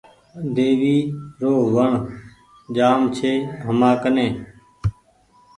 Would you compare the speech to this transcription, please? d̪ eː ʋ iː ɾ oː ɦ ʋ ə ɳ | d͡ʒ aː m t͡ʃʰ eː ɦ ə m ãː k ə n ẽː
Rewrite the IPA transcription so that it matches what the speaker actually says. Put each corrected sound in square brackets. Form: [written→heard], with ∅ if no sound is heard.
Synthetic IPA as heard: d̪ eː ʋ iː ɾ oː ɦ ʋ ə ɳ | d͡ʒ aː m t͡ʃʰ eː ɦ ə m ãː k ə n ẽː